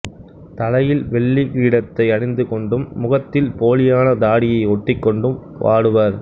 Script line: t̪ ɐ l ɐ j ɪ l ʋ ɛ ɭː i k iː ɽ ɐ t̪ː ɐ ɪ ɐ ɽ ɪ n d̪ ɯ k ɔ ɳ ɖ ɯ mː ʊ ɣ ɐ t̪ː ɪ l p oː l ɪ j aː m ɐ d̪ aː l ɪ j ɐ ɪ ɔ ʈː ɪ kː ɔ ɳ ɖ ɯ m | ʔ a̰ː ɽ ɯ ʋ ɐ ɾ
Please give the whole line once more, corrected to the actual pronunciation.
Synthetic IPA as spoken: t̪ ɐ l ɐ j ɪ l ʋ ɛ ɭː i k iː ɽ ɐ t̪ː ɐ ɪ ɐ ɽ ɪ n d̪ ɯ k ɔ ɳ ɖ ɯ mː ʊ ɣ ɐ t̪ː ɪ l p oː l ɪ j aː n ɐ d̪ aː ɽ ɪ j ɐ ɪ ɔ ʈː ɪ kː ɔ ɳ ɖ ɯ m | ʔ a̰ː ɽ ɯ ʋ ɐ ɾ